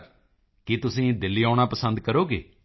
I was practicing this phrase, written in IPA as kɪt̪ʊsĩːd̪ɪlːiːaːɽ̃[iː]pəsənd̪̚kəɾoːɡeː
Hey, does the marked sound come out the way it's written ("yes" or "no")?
no